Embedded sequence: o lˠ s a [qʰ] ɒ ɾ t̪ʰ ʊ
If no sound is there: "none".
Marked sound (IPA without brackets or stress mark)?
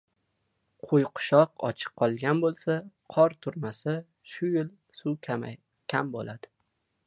qʰ